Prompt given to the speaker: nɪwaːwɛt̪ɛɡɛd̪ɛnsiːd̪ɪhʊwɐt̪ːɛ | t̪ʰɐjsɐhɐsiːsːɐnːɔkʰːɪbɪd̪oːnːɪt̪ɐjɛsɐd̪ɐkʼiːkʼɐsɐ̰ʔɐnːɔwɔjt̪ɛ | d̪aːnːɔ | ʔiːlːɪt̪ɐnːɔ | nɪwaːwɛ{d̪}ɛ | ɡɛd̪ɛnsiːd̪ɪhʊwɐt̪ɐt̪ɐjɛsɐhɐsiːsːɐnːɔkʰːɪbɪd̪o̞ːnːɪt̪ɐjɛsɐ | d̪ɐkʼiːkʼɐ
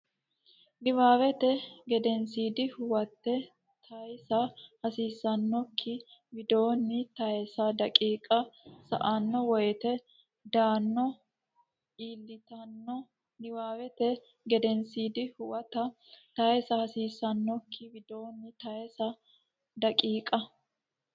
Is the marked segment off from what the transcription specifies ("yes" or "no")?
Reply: yes